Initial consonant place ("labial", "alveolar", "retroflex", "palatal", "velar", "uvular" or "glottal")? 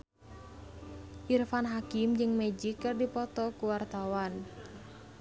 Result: glottal